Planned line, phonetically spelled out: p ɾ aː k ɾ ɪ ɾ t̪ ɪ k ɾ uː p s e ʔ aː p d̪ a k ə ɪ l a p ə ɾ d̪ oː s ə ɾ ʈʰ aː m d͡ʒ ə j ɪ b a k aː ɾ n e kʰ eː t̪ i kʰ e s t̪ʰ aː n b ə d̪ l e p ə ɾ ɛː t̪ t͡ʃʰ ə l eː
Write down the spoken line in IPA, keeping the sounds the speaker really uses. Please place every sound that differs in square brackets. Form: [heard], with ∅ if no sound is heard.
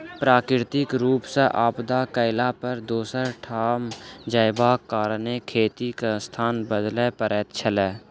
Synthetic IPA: p ɾ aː k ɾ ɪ ɾ t̪ ɪ k ɾ uː p s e ʔ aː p d̪ a k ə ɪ l a p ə ɾ d̪ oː s ə ɾ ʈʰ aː m d͡ʒ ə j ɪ b a k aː ɾ n e kʰ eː t̪ i [k] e s t̪ʰ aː n b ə d̪ l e p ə ɾ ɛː t̪ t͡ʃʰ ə l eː